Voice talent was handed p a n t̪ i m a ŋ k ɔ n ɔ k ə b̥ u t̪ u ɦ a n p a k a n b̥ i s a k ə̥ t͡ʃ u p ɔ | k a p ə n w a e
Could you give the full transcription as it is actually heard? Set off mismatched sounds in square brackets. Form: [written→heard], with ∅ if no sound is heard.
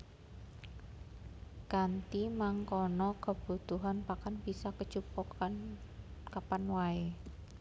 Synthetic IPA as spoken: [p→k] a n t̪ i m a ŋ k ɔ n ɔ k ə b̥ u t̪ u ɦ a n p a k a n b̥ i s a k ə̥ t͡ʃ u p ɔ | k a p [ə→a] n w a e